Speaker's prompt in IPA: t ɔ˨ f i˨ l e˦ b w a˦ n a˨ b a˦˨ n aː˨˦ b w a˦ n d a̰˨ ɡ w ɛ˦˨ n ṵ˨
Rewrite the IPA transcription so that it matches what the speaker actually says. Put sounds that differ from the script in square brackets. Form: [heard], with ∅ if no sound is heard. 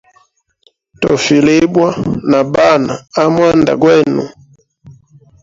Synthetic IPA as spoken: t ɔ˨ f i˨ l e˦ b w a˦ n a˨ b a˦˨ n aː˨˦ [m] w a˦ n d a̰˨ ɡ w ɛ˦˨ n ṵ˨